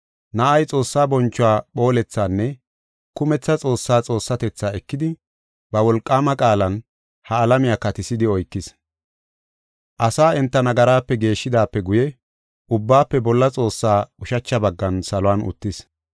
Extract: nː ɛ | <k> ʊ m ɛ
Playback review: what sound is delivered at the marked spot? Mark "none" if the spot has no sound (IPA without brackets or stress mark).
k